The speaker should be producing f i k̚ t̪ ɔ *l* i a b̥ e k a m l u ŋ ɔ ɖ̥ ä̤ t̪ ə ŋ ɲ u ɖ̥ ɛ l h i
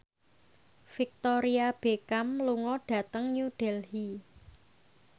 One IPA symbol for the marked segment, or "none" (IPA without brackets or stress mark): ɾ